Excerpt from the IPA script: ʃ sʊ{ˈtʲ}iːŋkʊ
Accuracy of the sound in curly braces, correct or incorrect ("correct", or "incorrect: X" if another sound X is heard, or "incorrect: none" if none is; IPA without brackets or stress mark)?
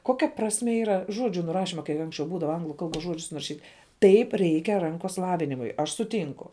correct